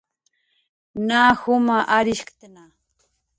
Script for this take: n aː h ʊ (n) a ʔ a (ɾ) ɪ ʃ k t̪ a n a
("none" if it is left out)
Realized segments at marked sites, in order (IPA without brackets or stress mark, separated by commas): m, ɾ